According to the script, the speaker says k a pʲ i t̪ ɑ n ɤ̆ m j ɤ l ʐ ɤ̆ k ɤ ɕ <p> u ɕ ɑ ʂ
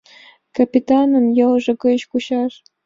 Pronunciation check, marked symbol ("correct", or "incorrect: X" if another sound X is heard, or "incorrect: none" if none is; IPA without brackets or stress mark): incorrect: k